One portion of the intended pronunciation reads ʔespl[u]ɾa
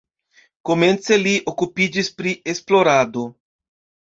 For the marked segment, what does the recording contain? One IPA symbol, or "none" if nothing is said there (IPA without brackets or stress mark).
o